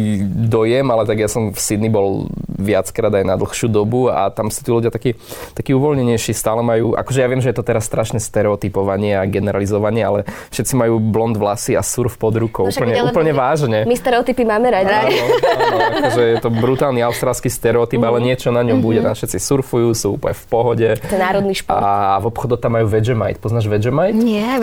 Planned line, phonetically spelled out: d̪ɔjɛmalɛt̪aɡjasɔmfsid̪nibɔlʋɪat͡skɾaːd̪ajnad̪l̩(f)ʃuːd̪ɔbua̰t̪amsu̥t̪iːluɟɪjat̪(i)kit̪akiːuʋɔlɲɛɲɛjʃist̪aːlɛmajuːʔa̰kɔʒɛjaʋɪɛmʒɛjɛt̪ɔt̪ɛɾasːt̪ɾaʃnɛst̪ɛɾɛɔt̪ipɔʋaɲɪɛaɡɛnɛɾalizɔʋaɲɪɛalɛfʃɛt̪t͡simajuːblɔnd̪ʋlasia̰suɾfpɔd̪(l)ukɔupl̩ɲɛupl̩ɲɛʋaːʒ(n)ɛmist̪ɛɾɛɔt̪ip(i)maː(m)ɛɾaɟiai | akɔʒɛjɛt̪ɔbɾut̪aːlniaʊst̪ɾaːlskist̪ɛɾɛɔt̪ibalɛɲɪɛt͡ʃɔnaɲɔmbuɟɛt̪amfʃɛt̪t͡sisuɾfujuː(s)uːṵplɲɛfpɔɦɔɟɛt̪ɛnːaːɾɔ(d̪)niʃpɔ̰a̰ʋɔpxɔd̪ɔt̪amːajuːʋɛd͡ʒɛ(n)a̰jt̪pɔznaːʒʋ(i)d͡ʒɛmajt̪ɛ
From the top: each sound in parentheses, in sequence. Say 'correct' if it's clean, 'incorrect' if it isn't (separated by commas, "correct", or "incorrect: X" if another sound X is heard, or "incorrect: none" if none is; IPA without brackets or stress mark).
incorrect: x, incorrect: a, incorrect: ɾ, incorrect: ɲ, correct, correct, correct, correct, incorrect: m, incorrect: ɛ